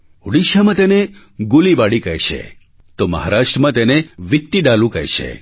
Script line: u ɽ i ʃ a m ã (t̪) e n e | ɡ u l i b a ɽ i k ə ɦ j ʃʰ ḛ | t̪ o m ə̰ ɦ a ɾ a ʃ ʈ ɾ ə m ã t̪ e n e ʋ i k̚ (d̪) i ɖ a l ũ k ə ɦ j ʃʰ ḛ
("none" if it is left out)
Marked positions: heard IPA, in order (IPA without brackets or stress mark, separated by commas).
t̪, t̪